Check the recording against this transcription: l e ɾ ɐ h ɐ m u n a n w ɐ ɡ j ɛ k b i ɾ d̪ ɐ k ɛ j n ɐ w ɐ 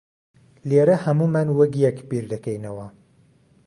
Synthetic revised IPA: l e ɾ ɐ h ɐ m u m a n w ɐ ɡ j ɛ k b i ɾ d̪ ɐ k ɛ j n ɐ w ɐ